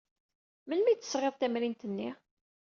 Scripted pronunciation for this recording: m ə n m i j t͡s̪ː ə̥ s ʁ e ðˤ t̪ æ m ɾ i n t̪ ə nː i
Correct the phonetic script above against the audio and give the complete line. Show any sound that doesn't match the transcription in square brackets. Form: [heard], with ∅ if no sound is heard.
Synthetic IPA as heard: m ə n m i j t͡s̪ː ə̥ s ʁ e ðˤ t̪ æ m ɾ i n t̪ ə nː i